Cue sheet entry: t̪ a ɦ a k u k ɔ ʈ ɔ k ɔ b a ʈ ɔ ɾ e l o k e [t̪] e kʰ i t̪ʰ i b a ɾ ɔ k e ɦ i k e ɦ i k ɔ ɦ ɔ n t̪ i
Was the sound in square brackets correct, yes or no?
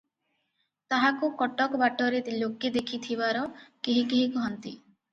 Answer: no